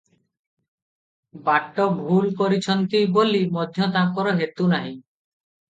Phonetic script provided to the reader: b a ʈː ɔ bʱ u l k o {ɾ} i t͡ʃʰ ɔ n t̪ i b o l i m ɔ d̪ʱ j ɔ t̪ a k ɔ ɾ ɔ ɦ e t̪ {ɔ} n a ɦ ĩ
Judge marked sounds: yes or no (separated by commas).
yes, no